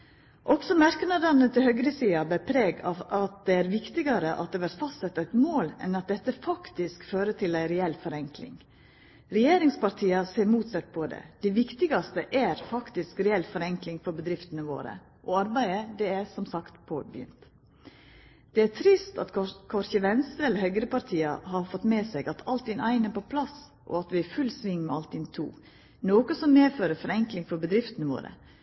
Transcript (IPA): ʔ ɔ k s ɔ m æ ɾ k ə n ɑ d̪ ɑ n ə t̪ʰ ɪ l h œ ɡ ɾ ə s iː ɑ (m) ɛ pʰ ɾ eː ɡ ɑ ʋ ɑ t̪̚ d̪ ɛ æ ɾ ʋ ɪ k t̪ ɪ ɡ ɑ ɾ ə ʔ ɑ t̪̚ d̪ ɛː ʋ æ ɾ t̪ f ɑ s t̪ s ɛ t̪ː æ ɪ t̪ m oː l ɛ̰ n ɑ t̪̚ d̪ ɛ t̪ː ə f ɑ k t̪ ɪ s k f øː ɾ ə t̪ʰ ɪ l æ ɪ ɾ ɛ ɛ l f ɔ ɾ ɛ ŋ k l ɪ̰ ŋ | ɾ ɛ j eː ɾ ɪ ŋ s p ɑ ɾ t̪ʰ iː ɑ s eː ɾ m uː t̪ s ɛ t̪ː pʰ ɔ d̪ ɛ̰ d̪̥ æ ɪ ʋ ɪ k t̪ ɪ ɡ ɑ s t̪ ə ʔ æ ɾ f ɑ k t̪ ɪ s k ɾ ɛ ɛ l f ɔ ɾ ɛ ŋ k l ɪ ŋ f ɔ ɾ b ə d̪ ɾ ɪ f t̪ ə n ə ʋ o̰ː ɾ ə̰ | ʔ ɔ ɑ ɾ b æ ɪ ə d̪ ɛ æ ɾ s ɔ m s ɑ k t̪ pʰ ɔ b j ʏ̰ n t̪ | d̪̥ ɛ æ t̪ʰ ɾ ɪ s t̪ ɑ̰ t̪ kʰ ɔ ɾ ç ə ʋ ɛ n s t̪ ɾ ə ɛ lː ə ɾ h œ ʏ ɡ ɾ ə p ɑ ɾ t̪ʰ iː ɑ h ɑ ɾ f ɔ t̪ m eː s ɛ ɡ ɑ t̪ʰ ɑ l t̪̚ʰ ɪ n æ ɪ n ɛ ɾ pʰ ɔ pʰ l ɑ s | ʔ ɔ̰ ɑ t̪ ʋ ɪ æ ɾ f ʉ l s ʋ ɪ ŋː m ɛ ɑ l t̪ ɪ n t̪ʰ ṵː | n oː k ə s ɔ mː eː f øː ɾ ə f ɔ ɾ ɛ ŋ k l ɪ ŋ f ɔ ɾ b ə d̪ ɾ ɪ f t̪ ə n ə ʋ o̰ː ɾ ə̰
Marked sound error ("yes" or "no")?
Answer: yes